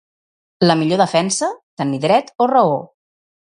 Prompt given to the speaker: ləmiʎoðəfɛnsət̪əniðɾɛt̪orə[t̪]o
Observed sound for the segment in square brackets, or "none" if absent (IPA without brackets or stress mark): none